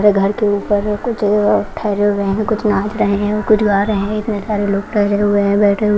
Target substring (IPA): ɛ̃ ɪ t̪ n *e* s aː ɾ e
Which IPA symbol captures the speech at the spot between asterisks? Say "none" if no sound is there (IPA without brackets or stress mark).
e